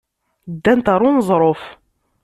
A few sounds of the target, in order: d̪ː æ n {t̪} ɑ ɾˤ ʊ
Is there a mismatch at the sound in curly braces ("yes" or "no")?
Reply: no